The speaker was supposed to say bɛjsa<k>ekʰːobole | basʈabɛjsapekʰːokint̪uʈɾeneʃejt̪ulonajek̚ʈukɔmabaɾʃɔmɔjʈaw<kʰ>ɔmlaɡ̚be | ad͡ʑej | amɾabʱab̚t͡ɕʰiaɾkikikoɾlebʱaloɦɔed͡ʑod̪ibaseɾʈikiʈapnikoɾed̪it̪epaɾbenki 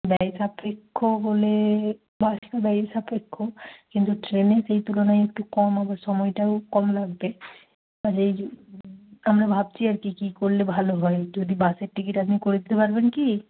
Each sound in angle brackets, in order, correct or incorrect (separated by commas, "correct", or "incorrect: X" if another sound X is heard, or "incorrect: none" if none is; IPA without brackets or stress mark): incorrect: p, incorrect: k